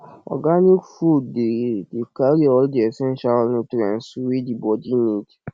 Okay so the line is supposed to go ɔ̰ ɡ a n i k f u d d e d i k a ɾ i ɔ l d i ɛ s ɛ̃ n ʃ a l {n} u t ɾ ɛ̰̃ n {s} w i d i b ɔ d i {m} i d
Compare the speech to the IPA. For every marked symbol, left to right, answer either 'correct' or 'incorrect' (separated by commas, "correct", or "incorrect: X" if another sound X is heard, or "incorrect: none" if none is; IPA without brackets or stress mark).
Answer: correct, correct, incorrect: n